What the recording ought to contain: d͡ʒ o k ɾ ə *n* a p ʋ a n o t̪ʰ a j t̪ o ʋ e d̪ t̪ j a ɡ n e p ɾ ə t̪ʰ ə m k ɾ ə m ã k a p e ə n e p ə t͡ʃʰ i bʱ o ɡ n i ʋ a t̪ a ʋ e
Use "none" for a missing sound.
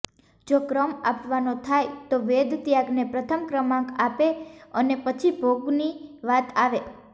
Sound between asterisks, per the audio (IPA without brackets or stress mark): m